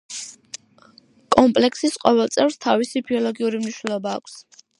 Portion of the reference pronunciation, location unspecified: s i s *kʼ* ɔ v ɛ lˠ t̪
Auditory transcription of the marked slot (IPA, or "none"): qʼ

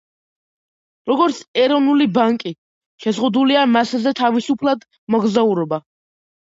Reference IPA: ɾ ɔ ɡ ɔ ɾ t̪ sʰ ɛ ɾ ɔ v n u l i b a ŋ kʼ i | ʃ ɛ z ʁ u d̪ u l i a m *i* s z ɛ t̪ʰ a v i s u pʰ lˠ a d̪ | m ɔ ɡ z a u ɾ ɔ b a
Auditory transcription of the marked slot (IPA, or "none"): a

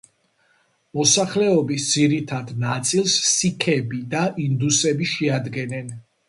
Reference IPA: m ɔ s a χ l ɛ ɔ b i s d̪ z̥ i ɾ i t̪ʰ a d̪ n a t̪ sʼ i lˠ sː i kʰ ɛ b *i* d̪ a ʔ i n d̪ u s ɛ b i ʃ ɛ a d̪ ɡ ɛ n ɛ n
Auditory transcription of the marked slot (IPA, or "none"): i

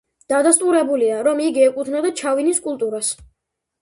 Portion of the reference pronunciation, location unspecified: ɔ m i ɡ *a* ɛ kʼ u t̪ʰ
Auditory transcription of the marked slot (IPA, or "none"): i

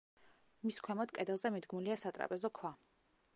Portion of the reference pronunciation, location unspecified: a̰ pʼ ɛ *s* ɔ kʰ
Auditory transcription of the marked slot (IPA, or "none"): z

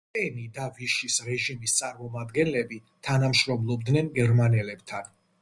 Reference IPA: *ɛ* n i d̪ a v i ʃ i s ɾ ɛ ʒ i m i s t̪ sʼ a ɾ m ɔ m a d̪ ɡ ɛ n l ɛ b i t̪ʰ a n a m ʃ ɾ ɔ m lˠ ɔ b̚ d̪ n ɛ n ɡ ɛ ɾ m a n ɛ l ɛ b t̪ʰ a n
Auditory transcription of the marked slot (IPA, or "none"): ɛ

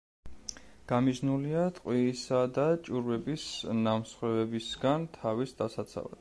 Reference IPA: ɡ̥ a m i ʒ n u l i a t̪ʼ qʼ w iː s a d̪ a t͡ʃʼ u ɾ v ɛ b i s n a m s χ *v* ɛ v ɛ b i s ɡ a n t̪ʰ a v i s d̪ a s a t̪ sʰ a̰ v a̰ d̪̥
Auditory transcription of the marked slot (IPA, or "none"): w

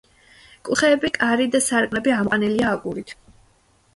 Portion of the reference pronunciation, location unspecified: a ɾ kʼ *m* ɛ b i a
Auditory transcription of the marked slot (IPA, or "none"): n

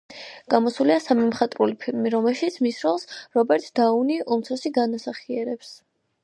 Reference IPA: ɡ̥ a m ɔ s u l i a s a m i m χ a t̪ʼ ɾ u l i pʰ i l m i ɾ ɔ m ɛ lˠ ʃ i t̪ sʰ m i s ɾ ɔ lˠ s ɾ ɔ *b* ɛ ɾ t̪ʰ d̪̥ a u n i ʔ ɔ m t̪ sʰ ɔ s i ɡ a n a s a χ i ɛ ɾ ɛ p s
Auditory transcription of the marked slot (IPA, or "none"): b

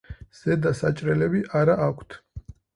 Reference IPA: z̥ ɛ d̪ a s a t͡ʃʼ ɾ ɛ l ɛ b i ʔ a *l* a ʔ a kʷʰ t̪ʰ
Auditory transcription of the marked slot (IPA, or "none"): ɾ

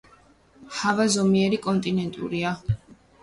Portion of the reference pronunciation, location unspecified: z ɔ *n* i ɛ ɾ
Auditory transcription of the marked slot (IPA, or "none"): m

